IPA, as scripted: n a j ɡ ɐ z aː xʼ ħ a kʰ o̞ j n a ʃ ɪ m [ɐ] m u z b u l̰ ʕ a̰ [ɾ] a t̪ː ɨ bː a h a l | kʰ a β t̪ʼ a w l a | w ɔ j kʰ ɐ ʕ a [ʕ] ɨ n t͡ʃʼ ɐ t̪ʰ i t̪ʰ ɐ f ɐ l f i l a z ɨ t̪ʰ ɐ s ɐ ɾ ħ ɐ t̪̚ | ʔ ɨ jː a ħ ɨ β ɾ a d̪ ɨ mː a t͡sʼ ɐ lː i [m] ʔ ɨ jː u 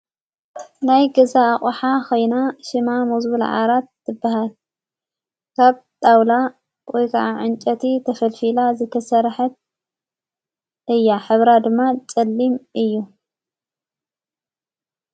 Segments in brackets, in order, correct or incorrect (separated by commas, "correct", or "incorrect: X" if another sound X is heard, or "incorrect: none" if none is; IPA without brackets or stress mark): incorrect: a, correct, correct, correct